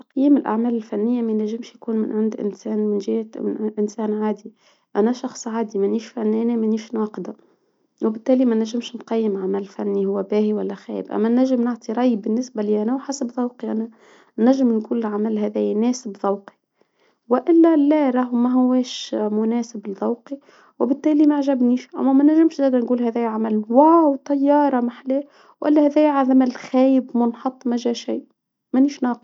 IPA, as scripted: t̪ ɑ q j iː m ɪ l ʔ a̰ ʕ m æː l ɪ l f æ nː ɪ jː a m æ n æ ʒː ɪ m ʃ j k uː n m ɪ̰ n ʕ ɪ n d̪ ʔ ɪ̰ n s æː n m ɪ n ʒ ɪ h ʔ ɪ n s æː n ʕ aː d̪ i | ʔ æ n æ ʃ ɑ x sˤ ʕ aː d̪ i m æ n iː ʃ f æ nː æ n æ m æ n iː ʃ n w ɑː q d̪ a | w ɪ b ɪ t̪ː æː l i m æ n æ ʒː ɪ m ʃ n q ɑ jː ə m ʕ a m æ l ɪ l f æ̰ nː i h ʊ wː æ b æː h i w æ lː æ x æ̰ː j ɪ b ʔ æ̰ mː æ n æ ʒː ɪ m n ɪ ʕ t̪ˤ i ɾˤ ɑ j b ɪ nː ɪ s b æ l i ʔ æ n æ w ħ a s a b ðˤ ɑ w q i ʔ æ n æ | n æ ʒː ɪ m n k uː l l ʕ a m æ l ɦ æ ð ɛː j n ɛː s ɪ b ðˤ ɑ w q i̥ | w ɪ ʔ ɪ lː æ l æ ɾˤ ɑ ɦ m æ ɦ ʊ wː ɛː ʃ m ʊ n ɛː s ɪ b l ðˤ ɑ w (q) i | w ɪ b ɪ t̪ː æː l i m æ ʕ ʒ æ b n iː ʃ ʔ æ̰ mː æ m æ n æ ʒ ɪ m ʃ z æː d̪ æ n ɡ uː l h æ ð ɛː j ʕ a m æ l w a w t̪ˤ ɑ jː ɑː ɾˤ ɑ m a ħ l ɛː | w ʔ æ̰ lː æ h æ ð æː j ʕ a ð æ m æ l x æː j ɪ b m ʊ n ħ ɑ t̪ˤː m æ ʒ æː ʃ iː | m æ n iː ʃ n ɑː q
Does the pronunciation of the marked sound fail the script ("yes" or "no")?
no